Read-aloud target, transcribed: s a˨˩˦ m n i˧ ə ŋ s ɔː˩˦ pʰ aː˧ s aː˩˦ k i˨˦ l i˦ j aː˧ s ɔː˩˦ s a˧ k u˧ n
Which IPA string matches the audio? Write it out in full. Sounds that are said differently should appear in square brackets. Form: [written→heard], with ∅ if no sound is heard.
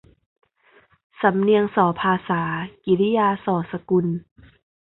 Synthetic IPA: s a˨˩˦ m n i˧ ə ŋ s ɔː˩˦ pʰ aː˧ s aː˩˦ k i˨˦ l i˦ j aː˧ s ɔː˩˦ s a˧ k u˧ n